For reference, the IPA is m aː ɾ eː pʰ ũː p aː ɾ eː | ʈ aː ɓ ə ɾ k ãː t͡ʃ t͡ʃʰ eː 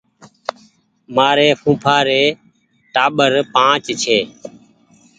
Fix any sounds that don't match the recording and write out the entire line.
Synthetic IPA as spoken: m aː ɾ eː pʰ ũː pʰ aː ɾ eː | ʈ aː ɓ ə ɾ p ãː t͡ʃ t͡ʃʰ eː